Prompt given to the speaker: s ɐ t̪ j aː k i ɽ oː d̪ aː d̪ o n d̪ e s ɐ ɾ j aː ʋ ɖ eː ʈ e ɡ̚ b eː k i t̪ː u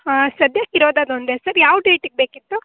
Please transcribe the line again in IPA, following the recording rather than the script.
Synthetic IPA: s ɐ d̪ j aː k i ɾ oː d̪ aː d̪ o n d̪ e s ɐ ɾ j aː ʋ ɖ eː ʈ i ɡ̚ b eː k i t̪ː u